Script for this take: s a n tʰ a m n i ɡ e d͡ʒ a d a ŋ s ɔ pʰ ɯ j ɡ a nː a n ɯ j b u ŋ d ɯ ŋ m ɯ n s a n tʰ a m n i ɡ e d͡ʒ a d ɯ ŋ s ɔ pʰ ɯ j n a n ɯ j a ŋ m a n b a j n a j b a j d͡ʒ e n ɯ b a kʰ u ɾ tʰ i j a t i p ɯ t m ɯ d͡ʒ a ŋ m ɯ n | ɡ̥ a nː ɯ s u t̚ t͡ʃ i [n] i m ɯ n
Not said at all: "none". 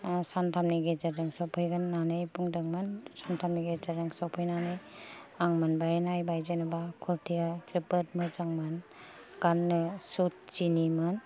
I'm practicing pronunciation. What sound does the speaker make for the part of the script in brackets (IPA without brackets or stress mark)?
n